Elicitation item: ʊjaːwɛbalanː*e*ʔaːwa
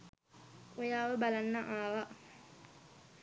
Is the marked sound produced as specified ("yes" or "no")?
no